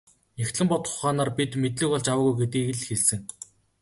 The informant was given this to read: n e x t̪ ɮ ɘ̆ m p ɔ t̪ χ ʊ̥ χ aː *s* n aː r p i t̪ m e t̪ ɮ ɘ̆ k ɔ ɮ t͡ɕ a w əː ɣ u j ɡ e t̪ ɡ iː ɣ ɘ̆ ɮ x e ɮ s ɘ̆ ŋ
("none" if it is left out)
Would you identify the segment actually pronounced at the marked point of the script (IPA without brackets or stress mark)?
none